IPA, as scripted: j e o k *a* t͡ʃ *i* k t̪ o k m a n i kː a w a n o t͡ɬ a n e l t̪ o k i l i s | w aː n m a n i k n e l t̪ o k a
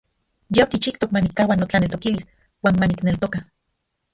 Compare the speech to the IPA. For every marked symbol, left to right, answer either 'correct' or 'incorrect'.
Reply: incorrect: i, correct

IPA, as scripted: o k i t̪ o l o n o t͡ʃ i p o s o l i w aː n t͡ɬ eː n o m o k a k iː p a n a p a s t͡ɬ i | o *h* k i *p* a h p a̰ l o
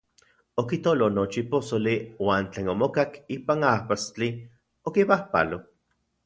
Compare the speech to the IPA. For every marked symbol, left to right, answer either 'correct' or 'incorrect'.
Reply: incorrect: none, correct

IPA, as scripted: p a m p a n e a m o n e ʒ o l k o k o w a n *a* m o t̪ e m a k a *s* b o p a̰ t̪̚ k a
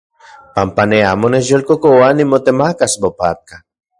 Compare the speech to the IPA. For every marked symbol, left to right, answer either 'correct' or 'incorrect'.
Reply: incorrect: i, correct

